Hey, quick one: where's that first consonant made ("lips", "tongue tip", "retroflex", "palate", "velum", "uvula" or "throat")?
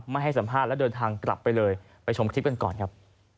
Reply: lips